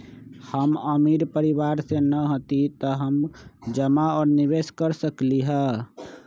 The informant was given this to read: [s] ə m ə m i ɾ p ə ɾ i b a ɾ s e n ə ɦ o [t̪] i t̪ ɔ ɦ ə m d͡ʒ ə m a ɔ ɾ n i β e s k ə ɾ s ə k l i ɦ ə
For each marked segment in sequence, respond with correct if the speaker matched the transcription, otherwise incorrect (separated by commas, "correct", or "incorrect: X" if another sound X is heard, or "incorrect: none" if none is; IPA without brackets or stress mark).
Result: incorrect: h, correct